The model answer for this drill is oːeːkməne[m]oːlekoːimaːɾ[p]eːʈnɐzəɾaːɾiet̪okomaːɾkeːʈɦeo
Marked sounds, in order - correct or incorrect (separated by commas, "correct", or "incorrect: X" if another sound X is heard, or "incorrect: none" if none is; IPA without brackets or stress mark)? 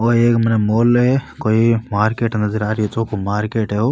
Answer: correct, incorrect: k